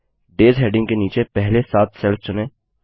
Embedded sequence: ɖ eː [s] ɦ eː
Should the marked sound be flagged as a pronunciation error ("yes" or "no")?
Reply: yes